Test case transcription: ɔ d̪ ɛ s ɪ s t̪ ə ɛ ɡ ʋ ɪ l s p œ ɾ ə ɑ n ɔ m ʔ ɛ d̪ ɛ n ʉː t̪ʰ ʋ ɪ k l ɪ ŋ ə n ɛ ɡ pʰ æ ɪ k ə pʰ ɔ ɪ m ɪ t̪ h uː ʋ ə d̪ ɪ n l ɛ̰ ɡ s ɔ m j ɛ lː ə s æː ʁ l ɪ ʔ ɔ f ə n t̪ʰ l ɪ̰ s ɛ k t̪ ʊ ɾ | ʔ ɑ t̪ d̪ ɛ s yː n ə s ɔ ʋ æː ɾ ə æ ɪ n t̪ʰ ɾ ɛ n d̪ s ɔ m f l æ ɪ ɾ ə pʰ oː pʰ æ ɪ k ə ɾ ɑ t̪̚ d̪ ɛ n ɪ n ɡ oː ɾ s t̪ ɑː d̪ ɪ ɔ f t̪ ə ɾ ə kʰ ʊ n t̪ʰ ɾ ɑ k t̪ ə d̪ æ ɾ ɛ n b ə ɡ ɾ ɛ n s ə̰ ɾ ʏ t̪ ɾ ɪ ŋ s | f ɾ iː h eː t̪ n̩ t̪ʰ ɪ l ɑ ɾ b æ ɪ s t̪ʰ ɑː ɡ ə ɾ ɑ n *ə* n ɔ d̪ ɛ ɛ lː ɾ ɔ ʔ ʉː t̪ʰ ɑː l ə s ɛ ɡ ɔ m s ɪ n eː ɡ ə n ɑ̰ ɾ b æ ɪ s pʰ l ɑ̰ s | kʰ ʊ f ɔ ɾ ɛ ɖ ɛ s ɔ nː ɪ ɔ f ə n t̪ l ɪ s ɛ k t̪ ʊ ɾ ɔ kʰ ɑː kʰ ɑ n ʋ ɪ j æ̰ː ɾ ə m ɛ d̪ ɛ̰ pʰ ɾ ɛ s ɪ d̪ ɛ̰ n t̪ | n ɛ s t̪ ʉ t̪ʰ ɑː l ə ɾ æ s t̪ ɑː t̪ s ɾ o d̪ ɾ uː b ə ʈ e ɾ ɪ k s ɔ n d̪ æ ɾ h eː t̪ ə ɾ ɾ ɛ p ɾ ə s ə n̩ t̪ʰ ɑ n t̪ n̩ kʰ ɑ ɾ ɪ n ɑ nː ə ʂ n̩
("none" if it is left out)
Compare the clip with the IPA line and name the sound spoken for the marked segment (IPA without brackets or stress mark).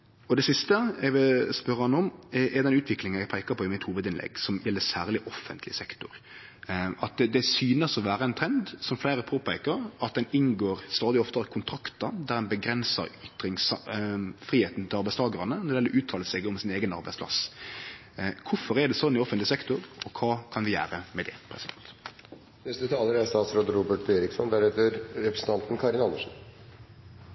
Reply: ə